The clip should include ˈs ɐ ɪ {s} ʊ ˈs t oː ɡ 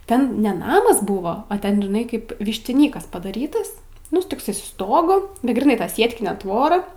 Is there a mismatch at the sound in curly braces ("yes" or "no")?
no